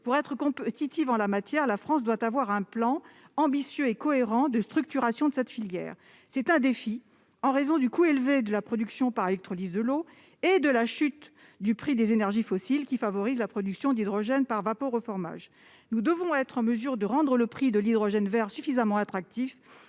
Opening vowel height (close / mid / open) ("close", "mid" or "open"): close